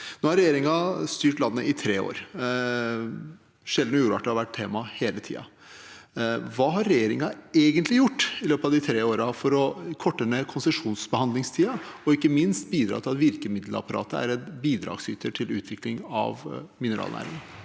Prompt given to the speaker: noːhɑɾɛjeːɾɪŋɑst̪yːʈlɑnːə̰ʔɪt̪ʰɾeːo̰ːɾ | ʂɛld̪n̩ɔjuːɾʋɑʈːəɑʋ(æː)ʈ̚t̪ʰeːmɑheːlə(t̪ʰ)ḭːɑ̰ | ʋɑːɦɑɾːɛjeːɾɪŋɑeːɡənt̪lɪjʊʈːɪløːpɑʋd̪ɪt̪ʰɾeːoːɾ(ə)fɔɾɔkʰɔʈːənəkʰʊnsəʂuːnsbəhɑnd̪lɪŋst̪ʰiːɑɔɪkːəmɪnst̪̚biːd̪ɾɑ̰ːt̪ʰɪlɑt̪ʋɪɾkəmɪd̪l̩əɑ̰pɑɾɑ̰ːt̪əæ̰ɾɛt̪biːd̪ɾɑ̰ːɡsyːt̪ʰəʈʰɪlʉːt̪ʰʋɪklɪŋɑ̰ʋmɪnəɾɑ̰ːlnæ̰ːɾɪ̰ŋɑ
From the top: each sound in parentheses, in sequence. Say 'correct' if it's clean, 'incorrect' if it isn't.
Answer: incorrect: æ, correct, incorrect: ɑ

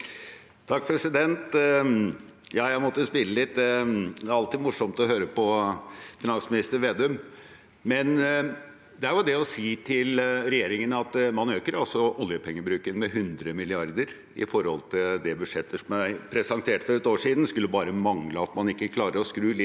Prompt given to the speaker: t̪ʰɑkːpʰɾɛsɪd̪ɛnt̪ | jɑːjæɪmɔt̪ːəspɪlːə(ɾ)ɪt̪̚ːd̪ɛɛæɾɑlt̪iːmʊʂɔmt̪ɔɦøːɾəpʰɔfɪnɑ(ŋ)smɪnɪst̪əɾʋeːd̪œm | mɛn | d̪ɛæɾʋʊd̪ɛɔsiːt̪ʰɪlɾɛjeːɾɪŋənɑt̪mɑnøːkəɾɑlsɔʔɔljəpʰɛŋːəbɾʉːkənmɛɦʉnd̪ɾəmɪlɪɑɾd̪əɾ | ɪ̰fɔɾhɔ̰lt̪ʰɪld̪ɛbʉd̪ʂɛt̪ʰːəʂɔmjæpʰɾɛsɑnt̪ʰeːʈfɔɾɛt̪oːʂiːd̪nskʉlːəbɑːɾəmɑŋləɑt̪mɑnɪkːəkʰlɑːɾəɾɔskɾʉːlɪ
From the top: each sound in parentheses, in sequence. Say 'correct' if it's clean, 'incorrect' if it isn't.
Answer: incorrect: l, incorrect: n

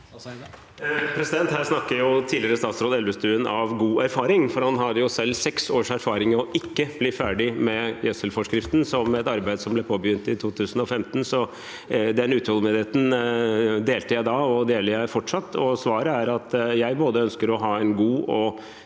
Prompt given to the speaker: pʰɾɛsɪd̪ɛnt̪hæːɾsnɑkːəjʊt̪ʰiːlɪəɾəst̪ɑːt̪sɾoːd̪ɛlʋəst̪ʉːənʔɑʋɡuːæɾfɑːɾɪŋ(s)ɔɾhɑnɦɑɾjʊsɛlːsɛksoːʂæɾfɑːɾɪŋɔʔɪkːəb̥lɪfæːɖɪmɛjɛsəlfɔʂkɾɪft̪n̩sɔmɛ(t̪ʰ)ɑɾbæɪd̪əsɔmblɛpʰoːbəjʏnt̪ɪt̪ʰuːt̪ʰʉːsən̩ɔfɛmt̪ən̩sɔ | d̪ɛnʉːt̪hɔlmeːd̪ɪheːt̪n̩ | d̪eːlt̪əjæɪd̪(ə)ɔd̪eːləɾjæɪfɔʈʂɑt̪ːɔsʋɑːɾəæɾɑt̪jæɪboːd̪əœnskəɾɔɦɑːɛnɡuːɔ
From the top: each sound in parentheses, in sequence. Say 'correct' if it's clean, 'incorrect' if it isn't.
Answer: incorrect: f, incorrect: t̪, incorrect: ɑ

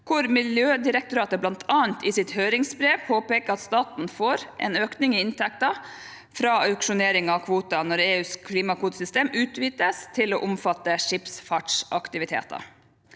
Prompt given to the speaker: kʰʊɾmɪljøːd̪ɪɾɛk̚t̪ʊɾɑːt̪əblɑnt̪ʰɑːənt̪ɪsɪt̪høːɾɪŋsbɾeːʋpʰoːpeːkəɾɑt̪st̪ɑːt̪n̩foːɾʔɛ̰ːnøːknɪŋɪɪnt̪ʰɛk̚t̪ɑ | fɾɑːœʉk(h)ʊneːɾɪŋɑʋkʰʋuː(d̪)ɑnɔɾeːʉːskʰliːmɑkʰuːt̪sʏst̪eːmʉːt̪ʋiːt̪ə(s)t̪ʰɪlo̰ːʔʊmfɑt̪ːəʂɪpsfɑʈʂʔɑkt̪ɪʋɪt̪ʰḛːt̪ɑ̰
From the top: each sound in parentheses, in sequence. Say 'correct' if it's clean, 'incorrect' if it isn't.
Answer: incorrect: ʂ, incorrect: t̪, correct

